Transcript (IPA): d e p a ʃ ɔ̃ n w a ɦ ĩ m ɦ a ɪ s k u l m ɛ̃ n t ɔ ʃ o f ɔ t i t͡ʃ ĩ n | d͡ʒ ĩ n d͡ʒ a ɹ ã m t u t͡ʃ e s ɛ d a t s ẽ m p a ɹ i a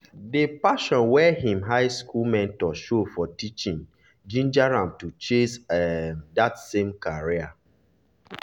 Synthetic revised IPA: d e p a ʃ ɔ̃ n w ɛ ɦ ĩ m ɦ a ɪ s k u l m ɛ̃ n t ɔ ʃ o f ɔ t i t͡ʃ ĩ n | d͡ʒ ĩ n d͡ʒ a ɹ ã m t u t͡ʃ e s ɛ d a t s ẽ m k a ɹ i a

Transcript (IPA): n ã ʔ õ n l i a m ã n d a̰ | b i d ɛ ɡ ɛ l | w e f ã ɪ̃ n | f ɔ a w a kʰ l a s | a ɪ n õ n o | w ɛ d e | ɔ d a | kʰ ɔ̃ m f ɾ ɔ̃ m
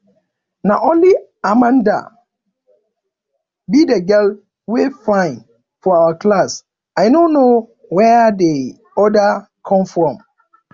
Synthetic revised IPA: n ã ʔ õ n l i a m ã n d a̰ | b i d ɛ ɡ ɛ l | w e f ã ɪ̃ n | f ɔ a w a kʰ l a s | a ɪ n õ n o | w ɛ d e | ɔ d a | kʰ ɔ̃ m f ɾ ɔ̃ m

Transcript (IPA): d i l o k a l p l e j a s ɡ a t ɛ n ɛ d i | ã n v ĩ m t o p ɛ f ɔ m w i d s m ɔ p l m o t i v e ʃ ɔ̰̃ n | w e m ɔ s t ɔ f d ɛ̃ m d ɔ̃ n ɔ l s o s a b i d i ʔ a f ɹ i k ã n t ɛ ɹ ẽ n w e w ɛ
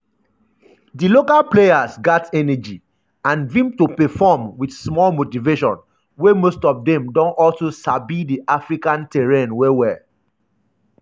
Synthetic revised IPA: d i l o k a l p l e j a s ɡ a t ɛ n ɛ d͡ʒ i | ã n v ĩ m t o p ɛ f ɔ m w i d s m ɔ l m o t i v e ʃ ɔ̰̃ n | w e m o s t ɔ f d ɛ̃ m d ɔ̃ n ɔ l s o s a b i d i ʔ a f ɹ i k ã n t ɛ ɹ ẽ n w e w ɛ

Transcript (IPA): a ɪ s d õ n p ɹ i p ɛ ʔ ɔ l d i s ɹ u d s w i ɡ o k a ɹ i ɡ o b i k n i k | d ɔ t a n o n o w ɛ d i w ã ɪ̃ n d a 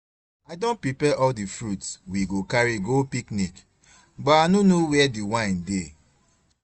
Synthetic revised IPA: a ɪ d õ n p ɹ i p ɛ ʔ ɔ l d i f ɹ u t s w i ɡ o k a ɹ i ɡ o p i k n i k | b ɔ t a n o n o w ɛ d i w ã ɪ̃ n d e

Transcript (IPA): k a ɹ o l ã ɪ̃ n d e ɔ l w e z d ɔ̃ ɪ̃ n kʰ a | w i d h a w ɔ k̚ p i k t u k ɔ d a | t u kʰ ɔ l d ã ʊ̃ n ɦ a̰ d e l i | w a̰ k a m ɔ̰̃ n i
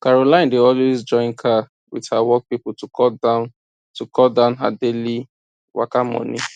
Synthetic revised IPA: k a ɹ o l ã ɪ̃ n d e ɔ l w e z d͡ʒ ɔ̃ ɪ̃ n kʰ a | w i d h a w ɔ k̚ p i p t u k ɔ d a | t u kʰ ɔ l d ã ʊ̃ n ɦ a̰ d e l i | w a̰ k a m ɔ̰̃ n i

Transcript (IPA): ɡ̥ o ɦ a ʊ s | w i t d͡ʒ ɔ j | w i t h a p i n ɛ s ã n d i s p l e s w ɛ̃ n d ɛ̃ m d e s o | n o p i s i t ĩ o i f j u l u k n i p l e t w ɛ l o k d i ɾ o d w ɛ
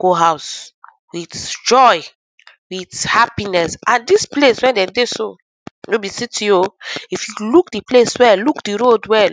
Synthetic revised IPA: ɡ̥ o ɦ a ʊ s | w i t d͡ʒ ɔ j | w i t h a p i n ɛ s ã n d i s p l e s w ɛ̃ n d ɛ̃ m d e s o | n o b i s i t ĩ o i f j u l u k d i p l e s w ɛ l u k d i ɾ o d w ɛ

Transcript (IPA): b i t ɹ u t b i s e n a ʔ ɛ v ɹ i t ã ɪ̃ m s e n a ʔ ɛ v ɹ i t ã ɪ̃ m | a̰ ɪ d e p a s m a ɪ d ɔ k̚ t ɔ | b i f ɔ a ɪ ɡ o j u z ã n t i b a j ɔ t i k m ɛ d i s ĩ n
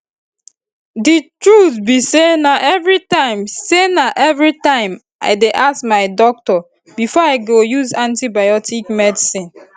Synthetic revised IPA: d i t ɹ u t b i s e n a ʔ ɛ v ɹ i t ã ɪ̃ m s e n a ʔ ɛ v ɹ i t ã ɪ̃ m | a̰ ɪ d e ʔ a s m a ɪ d ɔ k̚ t ɔ | b i f ɔ a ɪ ɡ o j u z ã n t i b a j ɔ t i k m ɛ d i s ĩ n

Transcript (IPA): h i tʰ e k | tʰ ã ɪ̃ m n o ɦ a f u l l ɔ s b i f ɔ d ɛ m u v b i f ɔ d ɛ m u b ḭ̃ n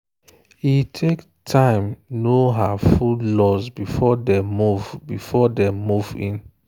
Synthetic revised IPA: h i tʰ e k | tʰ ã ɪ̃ m n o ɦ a f u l l ɔ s b i f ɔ d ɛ m u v b i f ɔ d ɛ m u v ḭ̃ n

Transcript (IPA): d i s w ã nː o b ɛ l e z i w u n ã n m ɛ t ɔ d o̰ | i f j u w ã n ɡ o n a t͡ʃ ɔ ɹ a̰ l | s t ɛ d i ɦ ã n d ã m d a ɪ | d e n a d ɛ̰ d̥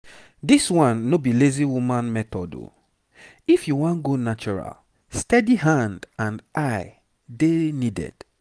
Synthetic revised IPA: d i s w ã nː o b i l e z i w u m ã n m ɛ t ɔ d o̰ | i f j u w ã n ɡ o n a t͡ʃ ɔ ɹ a̰ l | s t ɛ d i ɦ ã n d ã n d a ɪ | d e n i d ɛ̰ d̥

